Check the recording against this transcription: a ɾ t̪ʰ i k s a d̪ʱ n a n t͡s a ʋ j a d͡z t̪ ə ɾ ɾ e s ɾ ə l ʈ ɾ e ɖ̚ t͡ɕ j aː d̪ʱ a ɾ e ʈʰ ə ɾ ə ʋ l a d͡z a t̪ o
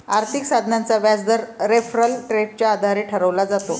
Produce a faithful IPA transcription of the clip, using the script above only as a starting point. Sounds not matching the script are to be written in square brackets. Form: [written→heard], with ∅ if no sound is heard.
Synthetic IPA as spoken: a ɾ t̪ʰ i k s a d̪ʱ n a n t͡s a ʋ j a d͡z [t̪→d̪] ə ɾ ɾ e [s→f] ɾ ə l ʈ ɾ e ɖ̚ t͡ɕ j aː d̪ʱ a ɾ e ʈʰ ə ɾ ə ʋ l a d͡z a t̪ o

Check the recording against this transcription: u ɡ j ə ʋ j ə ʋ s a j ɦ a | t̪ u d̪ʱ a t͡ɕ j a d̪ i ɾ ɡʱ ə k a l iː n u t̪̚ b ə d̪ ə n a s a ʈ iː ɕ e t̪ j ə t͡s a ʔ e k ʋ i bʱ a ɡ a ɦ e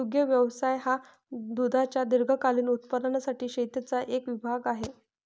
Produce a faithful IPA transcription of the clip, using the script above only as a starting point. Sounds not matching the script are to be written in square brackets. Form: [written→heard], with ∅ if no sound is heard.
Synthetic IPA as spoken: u ɡ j ə ʋ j ə ʋ s a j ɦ a | [t̪→d̪] u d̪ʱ a t͡ɕ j a d̪ i ɾ ɡʱ ə k a l iː n u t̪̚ [b→p] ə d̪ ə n a s a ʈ iː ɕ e t̪ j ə t͡s a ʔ e k ʋ i bʱ a ɡ a ɦ e

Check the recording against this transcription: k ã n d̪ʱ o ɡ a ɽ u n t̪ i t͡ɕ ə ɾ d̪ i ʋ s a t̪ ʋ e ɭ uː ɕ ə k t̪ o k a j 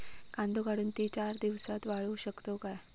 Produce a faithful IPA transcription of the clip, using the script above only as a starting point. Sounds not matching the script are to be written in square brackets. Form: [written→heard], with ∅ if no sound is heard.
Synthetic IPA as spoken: k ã n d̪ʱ o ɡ a ɽ [u→uː] n t̪ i t͡ɕ [ə→a] ɾ d̪ i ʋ s a t̪ ʋ [e→a] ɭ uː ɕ ə k t̪ o k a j

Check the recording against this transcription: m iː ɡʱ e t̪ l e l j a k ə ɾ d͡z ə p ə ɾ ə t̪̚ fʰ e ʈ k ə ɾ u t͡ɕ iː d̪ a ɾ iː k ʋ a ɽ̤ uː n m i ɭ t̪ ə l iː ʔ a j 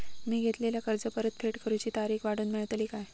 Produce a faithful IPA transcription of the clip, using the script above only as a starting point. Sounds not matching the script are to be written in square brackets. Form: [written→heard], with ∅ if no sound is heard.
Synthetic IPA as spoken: m iː ɡʱ e t̪ l e l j a k ə ɾ d͡z ə p ə ɾ ə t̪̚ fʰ e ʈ k ə ɾ u t͡ɕ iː [d̪→t̪] a ɾ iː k ʋ a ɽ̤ uː n m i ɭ t̪ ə l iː [ʔ→k] a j

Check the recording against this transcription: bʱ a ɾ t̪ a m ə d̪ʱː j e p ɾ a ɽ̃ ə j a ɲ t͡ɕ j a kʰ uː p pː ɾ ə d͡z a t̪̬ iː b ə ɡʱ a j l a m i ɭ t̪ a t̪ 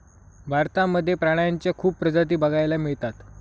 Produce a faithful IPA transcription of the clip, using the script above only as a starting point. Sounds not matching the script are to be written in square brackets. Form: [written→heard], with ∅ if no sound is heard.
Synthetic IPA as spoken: bʱ a ɾ t̪ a m ə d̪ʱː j e p ɾ a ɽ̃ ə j a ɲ t͡ɕ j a kʰ uː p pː ɾ ə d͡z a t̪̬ iː b ə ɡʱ a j l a m i ɭ t̪ a t̪

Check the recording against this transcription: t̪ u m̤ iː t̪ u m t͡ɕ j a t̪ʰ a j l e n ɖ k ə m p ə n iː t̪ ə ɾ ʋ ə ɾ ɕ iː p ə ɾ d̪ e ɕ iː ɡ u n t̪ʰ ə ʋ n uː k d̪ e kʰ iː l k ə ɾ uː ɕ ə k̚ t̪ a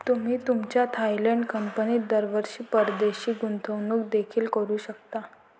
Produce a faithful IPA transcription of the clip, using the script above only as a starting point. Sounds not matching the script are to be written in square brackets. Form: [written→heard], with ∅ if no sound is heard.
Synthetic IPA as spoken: t̪ u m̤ iː t̪ u m t͡ɕ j a t̪ʰ a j l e [n→ɳ] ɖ k ə m p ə n iː [t̪→d̪] ə ɾ ʋ ə ɾ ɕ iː p ə ɾ d̪ e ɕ iː ɡ u n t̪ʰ ə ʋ n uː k d̪ e kʰ iː l k ə ɾ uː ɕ ə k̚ t̪ a

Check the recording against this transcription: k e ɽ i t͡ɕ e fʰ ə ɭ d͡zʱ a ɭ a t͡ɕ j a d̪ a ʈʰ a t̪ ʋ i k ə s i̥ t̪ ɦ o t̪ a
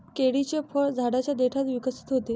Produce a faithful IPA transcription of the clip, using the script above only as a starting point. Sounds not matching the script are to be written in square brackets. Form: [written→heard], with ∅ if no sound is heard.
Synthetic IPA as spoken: k e ɽ i t͡ɕ e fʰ ə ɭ d͡zʱ a [ɭ→ɽ] a t͡ɕ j a d̪ [a→e] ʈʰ a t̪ ʋ i k ə s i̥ t̪ ɦ o t̪ [a→e]

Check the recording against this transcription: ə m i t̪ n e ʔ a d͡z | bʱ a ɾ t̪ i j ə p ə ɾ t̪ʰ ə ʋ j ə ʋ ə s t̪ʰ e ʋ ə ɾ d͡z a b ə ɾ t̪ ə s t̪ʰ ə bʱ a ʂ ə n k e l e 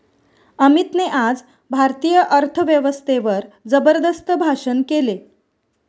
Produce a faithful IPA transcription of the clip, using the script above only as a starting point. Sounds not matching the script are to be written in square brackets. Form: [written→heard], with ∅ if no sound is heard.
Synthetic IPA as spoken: ə m i t̪ n e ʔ a d͡z | bʱ a ɾ t̪ i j ə [p→ʔ] ə ɾ t̪ʰ ə ʋ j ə ʋ ə s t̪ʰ e ʋ ə ɾ d͡z [a→ə] b ə ɾ [t̪→d̪] ə s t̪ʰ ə bʱ a ʂ ə n k e l e

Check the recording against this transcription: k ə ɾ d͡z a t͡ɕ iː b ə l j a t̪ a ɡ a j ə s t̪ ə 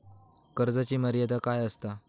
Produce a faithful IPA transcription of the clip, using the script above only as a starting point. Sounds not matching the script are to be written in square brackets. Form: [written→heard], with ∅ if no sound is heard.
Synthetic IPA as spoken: k ə ɾ d͡z a t͡ɕ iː [b→m] ə [l→ɾ] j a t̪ a [ɡ→k] a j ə s t̪ [ə→a]

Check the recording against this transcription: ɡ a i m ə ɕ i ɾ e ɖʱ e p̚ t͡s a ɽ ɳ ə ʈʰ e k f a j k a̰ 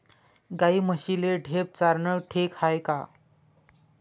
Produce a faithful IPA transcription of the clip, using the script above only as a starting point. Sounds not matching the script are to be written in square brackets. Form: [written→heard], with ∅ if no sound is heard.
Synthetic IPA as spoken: ɡ a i m ə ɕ i [ɾ→l] e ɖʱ e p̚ t͡s a [ɽ→ɾ] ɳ ə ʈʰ e k [f→h] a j k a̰

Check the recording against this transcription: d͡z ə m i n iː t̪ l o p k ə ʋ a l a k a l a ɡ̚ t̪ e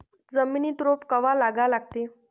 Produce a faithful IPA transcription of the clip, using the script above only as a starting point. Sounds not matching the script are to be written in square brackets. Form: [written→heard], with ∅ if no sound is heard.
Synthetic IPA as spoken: d͡z ə m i n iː t̪ [l→ɾ] o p k ə ʋ a l a [k→ɡ] a l a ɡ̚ t̪ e

